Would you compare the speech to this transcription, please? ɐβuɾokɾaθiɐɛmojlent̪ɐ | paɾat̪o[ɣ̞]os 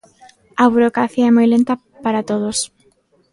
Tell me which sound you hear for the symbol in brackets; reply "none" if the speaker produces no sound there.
ð̞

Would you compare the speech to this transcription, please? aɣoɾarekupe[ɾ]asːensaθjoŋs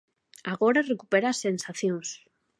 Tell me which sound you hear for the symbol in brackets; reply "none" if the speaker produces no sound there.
ɾ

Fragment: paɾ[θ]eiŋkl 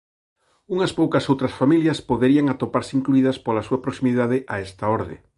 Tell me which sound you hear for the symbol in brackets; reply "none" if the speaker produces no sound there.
s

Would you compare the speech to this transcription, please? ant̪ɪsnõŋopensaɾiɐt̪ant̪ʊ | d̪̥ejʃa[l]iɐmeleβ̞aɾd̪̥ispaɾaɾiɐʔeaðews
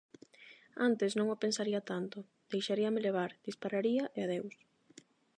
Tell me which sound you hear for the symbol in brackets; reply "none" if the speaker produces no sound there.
ɾ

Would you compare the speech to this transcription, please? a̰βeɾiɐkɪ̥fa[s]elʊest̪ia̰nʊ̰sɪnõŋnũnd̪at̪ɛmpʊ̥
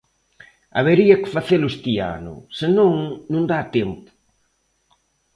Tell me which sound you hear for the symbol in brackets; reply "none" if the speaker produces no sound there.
θ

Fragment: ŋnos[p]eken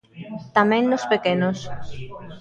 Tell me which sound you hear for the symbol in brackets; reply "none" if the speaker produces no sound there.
p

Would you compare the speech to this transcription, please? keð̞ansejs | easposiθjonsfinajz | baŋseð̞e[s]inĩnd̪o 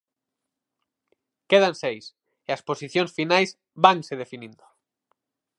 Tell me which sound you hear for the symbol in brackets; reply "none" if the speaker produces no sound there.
f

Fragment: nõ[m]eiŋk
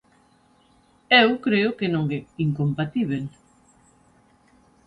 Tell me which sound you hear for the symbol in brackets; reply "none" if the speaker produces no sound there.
ŋ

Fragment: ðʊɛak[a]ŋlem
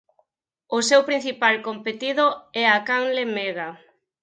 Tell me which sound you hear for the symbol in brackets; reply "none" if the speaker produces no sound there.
a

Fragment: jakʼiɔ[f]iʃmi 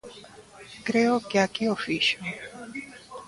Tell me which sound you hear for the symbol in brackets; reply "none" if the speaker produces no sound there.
f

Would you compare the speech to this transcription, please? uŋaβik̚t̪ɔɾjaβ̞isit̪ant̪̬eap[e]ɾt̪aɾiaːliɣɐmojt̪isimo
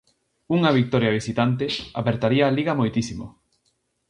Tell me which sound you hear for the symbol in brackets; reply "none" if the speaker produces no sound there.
e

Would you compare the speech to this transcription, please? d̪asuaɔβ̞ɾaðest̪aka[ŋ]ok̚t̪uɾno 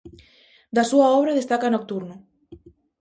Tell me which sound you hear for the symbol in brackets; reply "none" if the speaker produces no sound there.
n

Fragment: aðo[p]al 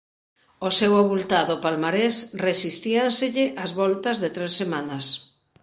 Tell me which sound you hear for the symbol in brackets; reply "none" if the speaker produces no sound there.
p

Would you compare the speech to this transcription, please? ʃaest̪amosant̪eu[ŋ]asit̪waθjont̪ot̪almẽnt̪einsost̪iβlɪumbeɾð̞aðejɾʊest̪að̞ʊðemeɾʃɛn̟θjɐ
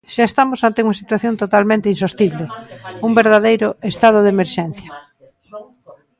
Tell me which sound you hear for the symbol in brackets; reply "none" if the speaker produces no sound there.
ŋ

